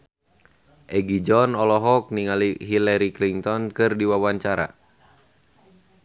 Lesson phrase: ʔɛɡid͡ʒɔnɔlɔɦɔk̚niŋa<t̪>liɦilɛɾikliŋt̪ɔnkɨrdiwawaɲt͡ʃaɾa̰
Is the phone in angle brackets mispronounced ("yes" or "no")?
yes